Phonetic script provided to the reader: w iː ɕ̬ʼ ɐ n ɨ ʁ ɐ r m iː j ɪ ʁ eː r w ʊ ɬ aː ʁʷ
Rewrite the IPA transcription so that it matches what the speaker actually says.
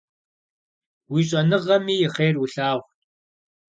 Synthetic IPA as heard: w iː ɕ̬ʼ ɐ n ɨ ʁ ɐ m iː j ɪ χ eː r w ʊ ɬ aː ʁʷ